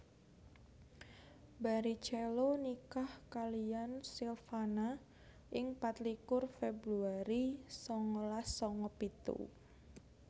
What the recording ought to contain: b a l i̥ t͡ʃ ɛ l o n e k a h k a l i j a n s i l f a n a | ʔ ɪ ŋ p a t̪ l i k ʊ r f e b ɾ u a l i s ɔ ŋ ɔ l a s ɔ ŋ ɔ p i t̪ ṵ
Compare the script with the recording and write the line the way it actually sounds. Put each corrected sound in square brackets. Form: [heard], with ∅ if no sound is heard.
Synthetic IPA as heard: b a [ɾ] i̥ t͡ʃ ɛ l o n [i] k a h k a l i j a n s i l f a n a | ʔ ɪ ŋ p a t̪ l i k ʊ r f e b ɾ u a [ɾ] i s ɔ ŋ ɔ l a s ɔ ŋ ɔ p i t̪ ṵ